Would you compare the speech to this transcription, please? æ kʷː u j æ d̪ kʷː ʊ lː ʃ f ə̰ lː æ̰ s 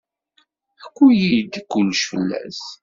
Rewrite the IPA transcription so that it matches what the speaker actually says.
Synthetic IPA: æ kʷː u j i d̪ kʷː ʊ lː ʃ f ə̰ lː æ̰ s